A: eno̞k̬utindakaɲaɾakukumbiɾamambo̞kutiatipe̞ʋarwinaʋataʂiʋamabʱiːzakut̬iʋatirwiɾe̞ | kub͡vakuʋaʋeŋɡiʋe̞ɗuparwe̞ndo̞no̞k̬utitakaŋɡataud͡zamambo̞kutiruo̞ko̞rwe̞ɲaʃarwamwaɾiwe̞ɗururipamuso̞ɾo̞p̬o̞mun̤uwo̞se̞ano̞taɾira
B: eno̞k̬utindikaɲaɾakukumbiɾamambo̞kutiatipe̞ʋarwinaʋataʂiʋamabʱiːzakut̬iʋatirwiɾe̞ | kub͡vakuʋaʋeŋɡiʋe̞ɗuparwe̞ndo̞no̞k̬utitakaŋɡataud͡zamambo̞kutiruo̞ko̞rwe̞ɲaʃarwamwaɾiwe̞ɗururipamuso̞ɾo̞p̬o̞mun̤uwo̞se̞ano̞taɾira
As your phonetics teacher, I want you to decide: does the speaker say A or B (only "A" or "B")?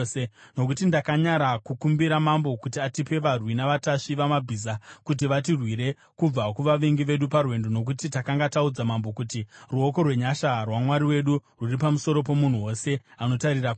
A